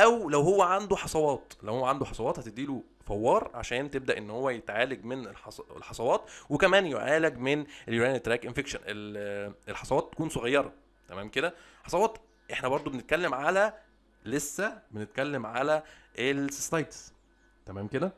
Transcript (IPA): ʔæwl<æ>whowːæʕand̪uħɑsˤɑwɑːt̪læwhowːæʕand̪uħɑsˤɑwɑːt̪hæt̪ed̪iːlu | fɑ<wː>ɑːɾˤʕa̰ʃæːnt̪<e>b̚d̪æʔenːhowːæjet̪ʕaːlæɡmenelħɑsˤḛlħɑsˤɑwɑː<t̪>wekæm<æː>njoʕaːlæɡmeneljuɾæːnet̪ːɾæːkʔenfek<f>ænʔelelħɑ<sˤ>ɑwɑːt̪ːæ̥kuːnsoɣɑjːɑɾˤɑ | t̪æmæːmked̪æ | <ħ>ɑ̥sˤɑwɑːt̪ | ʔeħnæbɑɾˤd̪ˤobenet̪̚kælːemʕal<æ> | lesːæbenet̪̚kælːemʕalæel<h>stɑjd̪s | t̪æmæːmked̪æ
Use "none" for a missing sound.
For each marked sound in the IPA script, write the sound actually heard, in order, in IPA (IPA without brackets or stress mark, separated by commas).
æ, wː, e, t̪, æː, ʃ, sˤ, ħ, æ, s